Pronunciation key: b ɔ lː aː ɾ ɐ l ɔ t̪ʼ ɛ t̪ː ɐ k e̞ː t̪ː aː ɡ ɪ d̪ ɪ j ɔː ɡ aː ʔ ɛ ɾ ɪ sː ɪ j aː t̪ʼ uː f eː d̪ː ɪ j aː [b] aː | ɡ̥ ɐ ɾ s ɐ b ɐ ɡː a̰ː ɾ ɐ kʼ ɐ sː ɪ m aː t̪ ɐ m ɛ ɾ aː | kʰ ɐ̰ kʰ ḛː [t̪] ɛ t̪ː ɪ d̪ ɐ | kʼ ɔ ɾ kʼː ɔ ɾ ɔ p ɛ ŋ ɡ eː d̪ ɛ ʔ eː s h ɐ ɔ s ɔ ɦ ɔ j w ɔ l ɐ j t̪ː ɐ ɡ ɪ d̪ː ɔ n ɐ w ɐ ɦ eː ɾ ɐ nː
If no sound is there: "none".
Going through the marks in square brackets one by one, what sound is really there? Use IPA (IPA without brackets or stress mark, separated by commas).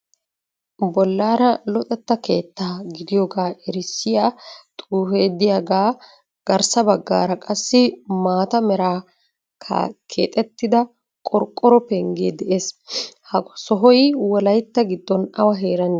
ɡ, t̪ʼ